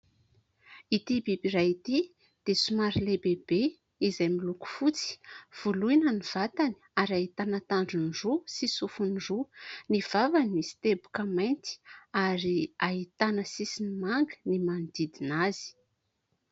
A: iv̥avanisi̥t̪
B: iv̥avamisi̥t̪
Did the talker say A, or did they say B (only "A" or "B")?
A